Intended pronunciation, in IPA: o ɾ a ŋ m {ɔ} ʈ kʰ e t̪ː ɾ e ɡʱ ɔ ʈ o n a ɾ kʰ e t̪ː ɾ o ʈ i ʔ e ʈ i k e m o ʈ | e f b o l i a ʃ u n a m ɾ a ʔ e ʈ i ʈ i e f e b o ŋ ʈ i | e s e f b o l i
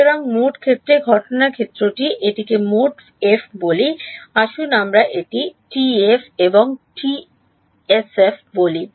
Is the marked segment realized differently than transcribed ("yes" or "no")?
yes